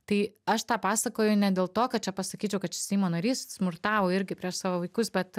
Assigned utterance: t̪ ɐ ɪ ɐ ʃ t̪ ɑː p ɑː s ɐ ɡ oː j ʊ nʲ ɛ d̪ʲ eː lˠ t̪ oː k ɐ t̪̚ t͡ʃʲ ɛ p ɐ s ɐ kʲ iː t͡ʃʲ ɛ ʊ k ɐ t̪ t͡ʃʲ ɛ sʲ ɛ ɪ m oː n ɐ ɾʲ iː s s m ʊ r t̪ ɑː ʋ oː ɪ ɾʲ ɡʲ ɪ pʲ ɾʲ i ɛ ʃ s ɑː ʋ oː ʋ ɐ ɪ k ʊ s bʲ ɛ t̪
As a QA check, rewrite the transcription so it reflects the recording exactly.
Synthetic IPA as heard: t̪ ɐ ɪ ɐ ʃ t̪ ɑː p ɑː s ɐ k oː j ʊ nʲ ɛ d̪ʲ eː lˠ t̪ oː k ɐ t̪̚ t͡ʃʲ ɛ p ɐ s ɐ kʲ iː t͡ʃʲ ɛ ʊ k ɐ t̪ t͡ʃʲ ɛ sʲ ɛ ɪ m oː n ɐ ɾʲ iː s s m ʊ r t̪ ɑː ʋ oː ɪ ɾʲ ɡʲ ɪ pʲ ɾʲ i ɛ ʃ s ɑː ʋ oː ʋ ɐ ɪ k ʊ s bʲ ɛ t̪